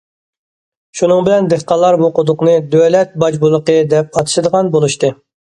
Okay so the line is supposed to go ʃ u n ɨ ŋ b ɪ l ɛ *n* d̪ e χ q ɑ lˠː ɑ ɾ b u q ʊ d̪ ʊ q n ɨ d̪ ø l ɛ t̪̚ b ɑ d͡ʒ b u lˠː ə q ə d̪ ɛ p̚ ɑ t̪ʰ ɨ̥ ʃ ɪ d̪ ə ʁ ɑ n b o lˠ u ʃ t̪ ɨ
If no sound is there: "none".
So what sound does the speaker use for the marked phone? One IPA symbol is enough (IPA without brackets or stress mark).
n